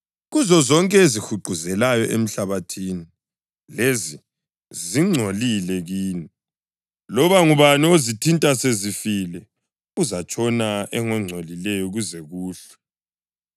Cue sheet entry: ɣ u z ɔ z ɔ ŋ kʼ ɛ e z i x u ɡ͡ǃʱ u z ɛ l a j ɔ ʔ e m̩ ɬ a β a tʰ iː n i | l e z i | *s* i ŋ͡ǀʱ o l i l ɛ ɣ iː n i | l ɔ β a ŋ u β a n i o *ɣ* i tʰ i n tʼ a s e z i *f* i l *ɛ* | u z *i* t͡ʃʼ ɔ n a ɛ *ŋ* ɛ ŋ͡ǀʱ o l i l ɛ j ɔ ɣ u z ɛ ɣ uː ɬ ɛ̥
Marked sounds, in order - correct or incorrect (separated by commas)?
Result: incorrect, incorrect, correct, correct, incorrect, correct